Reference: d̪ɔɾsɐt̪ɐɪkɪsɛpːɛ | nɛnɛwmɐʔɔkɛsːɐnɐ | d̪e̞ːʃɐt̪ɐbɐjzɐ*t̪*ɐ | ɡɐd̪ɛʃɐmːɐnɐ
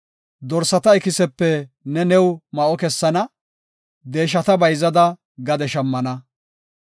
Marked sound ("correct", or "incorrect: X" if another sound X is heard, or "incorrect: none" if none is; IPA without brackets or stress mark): incorrect: d̪